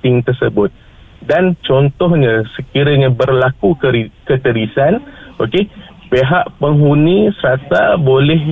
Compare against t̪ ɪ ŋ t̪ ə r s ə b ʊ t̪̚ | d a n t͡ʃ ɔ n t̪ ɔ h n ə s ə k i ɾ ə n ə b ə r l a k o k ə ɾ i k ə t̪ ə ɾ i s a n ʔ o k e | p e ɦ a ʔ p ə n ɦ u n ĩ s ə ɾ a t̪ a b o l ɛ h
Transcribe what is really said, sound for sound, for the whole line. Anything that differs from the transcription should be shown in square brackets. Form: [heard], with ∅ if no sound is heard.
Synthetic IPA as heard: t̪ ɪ ŋ t̪ ə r s ə b ʊ t̪̚ | d a n t͡ʃ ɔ n t̪ ɔ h [ɲ] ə s ə k i ɾ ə [ɲ] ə b ə r l a k [u] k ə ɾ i k ə t̪ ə ɾ i s a n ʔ o k e | p e ɦ a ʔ p ə [ŋ] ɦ u n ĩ s ə ɾ a t̪ a b o l ɛ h